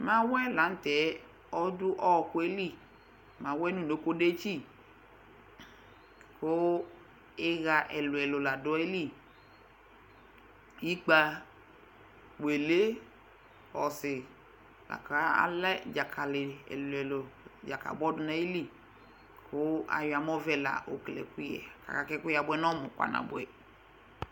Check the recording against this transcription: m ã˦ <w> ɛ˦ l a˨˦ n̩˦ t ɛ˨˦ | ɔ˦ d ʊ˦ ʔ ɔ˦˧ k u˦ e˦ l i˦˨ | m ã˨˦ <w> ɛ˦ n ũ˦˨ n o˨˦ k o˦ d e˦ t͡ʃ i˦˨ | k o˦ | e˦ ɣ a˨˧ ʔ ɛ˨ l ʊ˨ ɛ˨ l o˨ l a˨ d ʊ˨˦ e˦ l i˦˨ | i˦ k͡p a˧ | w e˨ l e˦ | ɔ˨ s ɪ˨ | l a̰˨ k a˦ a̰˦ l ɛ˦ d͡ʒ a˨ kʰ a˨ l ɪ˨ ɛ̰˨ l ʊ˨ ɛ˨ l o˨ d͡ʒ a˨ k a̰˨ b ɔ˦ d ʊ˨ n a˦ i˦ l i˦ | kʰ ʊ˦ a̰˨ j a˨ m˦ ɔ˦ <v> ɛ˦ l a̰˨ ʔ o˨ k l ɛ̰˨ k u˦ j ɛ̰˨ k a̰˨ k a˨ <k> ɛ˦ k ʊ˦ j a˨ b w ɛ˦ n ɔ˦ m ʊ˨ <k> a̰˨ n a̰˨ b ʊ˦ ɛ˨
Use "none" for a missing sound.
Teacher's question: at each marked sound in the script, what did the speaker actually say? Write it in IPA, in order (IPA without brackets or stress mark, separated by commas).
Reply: w, w, v, k, k